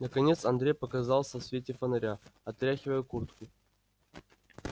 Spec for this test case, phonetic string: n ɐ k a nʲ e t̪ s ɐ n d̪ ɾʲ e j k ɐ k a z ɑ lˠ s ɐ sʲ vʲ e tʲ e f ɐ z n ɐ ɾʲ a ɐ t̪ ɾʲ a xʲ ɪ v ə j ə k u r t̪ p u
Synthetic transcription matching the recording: n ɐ k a nʲ e t̪ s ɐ n d̪ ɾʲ e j p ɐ k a z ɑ lˠ s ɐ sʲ vʲ e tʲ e f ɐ n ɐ ɾʲ a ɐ t̪ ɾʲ a xʲ ɪ v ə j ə k u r t̪ k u